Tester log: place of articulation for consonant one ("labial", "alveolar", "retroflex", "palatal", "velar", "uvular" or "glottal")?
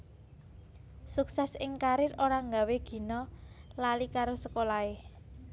alveolar